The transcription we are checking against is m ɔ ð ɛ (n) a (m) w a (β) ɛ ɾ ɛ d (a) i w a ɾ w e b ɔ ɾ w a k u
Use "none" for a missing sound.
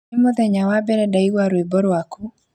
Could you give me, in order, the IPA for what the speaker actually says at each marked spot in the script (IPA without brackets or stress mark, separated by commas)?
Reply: ɲ, none, b, a